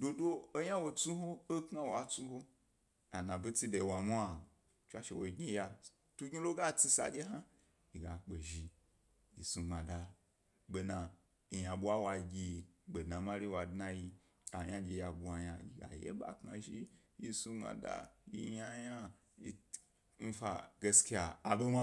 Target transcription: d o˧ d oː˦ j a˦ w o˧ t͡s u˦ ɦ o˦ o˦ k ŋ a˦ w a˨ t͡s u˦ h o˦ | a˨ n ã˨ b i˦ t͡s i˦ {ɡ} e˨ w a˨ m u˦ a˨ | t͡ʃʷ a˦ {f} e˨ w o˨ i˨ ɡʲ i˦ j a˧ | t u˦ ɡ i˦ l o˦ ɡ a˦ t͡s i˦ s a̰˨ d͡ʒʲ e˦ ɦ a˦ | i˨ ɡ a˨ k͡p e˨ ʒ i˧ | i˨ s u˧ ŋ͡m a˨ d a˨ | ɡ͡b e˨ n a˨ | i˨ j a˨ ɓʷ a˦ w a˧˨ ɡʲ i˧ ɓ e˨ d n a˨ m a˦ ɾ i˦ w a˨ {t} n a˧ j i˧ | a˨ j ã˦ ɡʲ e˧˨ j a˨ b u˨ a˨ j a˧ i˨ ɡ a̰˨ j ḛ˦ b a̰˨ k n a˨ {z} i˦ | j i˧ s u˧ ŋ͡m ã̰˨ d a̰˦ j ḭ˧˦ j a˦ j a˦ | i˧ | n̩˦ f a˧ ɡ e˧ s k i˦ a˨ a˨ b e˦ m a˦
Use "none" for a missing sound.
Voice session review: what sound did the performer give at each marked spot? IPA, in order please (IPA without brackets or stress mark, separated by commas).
d, ʃ, d, ʒ